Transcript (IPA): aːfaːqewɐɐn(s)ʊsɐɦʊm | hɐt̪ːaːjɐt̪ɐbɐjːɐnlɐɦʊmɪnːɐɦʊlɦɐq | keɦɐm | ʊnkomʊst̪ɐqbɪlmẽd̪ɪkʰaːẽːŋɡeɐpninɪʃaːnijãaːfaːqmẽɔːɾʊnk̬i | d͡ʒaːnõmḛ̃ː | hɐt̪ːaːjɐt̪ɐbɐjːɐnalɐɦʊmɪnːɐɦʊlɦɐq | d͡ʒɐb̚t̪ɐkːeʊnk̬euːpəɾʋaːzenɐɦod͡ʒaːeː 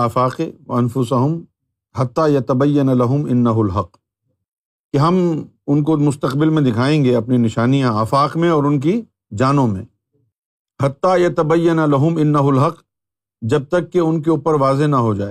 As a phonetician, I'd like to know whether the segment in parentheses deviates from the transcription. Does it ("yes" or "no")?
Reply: yes